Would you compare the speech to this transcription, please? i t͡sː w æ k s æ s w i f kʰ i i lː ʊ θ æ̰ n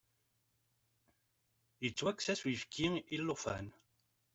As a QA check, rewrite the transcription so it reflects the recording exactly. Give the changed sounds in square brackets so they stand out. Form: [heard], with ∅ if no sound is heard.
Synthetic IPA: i t͡sː w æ k s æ s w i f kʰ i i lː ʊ [f] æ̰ n